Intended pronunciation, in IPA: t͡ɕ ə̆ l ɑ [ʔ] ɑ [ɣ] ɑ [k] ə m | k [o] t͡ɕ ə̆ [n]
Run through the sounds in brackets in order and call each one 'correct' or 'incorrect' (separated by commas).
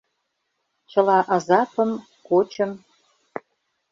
correct, incorrect, incorrect, correct, incorrect